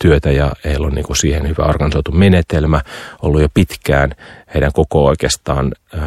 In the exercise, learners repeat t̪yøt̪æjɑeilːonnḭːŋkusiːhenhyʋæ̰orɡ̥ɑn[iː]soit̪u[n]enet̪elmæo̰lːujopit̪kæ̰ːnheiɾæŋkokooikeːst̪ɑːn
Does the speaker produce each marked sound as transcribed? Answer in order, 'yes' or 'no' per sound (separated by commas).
no, no